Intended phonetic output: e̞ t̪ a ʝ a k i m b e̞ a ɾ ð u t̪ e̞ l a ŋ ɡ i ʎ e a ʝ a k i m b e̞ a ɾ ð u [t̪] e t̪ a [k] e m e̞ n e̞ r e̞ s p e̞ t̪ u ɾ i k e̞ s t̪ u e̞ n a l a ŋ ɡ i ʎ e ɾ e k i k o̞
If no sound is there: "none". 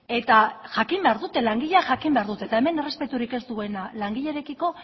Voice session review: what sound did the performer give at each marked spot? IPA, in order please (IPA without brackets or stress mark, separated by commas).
t̪, none